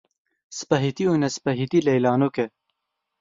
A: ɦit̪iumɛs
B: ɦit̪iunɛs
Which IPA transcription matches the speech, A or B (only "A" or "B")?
B